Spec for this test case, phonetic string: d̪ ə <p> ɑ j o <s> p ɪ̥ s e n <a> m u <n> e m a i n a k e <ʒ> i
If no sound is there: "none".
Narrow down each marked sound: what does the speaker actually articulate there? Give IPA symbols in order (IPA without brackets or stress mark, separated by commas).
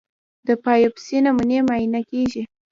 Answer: p, none, a, n, ʒ